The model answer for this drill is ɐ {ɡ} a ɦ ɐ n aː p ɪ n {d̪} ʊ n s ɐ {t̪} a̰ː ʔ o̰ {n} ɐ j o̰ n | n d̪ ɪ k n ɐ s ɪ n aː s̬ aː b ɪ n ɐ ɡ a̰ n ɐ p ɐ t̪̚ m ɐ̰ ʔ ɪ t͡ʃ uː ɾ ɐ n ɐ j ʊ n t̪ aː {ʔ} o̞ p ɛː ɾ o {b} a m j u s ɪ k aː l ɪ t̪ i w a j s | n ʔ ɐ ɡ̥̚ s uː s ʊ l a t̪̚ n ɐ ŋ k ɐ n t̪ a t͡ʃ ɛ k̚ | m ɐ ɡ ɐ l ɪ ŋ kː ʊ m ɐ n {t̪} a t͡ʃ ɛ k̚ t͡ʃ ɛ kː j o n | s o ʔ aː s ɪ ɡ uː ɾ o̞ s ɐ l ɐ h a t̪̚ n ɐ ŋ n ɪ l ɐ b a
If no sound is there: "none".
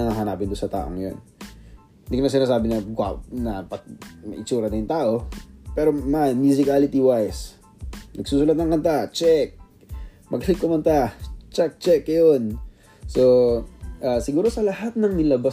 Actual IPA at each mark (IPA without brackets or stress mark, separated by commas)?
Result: ŋ, d̪, t̪, ŋ, ʔ, m, t̪